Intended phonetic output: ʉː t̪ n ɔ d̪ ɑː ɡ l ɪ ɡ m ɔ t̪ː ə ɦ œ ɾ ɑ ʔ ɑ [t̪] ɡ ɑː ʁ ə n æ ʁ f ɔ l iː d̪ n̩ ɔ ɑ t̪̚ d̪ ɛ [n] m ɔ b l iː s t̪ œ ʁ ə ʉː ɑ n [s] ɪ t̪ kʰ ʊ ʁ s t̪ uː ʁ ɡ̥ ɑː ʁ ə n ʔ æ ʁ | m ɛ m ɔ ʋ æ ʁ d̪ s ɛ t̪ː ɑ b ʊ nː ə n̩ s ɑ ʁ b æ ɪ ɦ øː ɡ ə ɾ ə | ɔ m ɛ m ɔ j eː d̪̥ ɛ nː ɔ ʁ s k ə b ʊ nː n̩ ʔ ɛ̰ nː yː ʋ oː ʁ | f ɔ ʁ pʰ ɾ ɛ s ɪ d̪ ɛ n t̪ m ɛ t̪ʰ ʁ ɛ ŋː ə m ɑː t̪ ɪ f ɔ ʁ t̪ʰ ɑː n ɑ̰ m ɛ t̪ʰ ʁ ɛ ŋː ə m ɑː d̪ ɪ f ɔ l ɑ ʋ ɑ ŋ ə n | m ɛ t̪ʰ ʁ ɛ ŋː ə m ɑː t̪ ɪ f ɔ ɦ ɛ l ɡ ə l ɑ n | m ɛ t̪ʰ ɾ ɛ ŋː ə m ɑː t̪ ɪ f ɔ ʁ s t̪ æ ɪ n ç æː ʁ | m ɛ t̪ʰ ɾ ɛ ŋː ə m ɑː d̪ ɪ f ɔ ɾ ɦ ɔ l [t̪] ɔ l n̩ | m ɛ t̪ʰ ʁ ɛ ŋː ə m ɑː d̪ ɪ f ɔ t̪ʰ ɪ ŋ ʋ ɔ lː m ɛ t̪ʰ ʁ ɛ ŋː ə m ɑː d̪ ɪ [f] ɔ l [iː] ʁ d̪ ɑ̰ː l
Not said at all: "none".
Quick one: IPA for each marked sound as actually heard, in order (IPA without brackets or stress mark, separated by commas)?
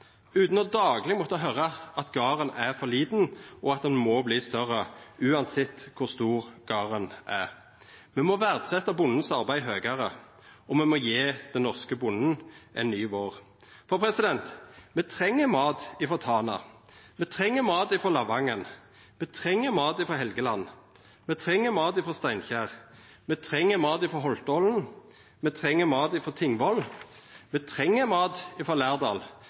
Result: t̪, n, s, t̪, f, æː